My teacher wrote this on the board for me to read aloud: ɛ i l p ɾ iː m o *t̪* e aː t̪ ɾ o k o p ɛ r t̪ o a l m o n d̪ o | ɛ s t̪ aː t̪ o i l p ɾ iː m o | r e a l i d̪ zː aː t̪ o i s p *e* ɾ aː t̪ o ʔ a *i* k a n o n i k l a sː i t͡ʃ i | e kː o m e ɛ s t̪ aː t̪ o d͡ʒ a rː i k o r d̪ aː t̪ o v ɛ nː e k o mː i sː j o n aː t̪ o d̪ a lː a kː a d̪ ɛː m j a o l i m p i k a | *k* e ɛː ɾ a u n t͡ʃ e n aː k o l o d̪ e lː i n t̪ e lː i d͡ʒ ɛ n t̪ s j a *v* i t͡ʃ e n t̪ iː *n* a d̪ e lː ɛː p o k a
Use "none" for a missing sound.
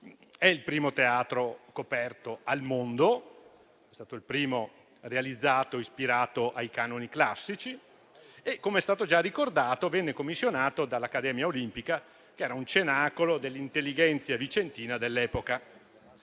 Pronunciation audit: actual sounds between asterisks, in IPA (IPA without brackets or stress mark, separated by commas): t̪, i, j, k, v, n